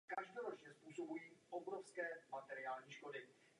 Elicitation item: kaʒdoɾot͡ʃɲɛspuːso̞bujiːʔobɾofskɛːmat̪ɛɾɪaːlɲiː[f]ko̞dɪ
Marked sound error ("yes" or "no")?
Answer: yes